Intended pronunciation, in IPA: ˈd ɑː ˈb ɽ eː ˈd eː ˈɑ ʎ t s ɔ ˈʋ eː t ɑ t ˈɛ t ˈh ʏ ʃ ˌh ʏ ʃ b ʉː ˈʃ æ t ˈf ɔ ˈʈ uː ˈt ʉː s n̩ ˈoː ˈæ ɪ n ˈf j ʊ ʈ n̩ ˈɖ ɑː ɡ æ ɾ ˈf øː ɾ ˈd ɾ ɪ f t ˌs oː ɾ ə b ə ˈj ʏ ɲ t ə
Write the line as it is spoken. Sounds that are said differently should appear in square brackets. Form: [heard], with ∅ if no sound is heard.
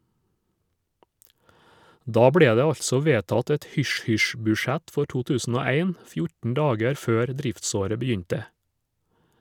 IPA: ˈd ɑː ˈb ɽ eː ˈd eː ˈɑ ʎ t s ɔ ˈʋ eː t ɑ t ˈɛ t ˈh ʏ ʃ ˌh ʏ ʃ b ʉː ˈʃ æ t ˈf ɔ ˈʈ uː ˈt ʉː s n̩ ˈoː ˈæ ɪ n ˈf j ʊ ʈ n̩ ˈɖ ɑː ɡ æ ɾ ˈf øː ɾ ˈd ɾ ɪ f t ˌs oː ɾ ə b ə ˈj ʏ ɲ t ə